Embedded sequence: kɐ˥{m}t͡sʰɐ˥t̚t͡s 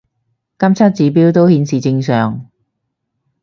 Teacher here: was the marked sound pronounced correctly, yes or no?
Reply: yes